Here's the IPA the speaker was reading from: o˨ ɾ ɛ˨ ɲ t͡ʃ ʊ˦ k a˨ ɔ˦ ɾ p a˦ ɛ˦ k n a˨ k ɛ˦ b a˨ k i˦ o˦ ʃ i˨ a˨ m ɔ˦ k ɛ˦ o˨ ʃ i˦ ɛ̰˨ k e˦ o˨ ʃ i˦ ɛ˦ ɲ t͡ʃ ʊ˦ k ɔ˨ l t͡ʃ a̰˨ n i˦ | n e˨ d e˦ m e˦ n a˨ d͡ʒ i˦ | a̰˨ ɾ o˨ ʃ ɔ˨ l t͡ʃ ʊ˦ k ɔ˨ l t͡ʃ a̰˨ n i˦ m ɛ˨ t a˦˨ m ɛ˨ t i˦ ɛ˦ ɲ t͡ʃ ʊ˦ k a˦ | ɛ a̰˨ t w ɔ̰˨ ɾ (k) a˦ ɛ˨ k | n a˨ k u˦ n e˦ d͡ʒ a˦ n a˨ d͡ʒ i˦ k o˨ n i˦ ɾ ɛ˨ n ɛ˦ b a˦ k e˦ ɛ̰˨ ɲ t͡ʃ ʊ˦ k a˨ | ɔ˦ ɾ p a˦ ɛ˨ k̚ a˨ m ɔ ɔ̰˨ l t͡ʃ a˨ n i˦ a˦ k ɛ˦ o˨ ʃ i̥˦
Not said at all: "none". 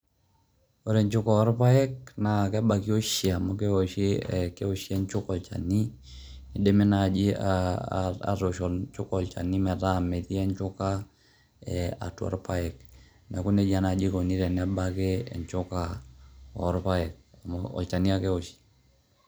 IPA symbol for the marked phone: p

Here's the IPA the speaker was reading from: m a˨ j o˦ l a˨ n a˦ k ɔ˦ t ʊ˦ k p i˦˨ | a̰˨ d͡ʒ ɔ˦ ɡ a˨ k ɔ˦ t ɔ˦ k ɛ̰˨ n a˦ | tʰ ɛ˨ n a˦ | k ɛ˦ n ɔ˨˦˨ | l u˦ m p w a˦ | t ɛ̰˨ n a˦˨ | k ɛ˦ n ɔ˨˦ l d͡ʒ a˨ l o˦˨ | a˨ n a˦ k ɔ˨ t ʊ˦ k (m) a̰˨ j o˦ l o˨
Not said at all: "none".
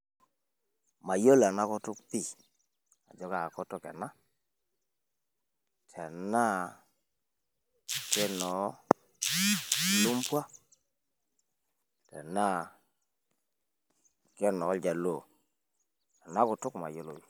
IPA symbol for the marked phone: m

